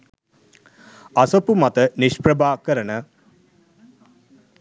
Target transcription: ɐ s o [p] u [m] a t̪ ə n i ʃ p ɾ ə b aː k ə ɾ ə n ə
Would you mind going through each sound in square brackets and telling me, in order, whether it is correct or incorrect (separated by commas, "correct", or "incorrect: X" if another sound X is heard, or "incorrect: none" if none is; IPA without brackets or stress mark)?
correct, correct